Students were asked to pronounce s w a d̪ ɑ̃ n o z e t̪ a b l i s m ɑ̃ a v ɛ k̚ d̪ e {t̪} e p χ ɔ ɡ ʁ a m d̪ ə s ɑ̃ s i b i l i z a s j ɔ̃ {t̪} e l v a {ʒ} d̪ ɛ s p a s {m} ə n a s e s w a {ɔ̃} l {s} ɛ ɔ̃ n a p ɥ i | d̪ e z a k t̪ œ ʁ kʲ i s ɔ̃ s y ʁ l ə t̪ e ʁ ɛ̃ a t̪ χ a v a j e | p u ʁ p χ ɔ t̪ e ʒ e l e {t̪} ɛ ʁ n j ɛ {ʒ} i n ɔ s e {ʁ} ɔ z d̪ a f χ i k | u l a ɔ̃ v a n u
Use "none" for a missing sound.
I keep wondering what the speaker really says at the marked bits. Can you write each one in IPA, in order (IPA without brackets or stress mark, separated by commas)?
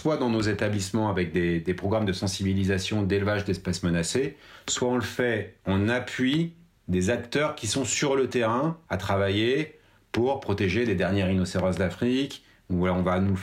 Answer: d̪, d̪, ʒ, m, ɔ̃, f, d̪, ʁ, ʁ